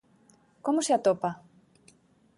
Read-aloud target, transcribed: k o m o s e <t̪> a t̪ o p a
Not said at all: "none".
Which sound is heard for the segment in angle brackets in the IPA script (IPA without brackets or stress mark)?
none